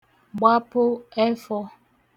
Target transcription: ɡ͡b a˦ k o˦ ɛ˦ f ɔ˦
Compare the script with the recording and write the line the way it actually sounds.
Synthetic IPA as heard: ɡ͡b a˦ p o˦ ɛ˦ f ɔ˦